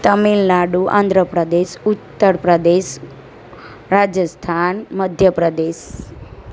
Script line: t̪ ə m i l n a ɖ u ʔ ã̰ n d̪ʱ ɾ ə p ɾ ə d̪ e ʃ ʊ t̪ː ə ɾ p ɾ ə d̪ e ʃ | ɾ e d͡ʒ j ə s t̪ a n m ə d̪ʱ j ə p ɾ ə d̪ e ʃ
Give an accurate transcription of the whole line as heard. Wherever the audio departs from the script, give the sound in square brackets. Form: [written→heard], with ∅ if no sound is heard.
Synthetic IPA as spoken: t̪ ə m i l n a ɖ u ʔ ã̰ n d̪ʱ ɾ ə p ɾ ə d̪ e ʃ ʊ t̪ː ə ɾ p ɾ ə d̪ e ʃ | ɾ [e→a] d͡ʒ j ə s [t̪→t̪ʰ] a n m ə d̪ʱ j ə p ɾ ə d̪ e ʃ